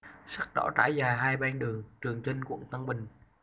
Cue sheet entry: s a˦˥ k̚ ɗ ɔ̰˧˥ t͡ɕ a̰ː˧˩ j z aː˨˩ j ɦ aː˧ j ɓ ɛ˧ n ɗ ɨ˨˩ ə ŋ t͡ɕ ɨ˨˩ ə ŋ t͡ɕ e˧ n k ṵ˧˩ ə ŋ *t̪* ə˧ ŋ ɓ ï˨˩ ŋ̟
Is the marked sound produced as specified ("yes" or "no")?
yes